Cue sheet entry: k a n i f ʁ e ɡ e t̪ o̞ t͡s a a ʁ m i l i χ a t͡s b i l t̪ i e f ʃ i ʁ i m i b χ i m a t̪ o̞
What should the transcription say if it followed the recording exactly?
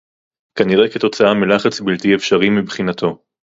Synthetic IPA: k a n i ʁ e k e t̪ o̞ t͡s a a m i l a χ a t͡s b i l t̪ i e f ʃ a ʁ i m i b χ i n a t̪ o̞